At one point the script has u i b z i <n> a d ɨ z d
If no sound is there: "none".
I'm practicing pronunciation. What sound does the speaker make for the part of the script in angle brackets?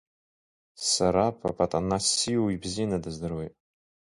n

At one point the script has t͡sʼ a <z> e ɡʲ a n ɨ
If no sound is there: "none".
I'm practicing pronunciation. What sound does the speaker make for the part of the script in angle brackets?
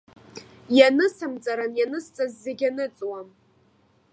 zː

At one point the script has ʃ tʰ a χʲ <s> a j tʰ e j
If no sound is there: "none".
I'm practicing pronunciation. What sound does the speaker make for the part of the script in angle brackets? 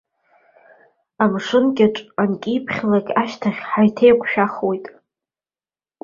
ħ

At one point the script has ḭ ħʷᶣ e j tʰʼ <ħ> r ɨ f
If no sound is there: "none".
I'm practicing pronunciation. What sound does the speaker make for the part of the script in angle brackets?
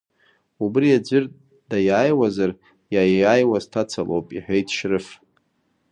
ʃ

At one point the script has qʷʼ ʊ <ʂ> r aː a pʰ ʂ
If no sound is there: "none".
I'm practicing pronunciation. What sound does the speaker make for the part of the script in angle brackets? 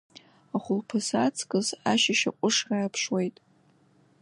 ʂ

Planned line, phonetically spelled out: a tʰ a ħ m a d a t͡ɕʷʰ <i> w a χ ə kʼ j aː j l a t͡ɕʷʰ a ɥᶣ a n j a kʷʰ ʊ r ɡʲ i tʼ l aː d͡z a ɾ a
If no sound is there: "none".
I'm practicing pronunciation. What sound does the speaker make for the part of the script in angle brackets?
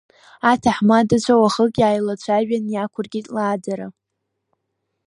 a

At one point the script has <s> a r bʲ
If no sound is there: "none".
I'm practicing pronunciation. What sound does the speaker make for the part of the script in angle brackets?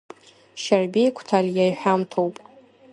ʃ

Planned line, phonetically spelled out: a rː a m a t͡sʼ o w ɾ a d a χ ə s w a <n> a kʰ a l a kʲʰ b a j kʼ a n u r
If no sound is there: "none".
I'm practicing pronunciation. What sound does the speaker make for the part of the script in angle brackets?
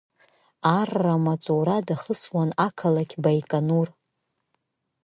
n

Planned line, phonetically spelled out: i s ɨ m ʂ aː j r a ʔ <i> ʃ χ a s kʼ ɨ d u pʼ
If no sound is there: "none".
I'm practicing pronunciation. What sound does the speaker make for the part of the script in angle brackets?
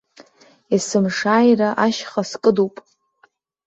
a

